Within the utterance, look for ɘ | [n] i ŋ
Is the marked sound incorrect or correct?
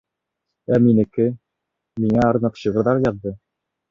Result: incorrect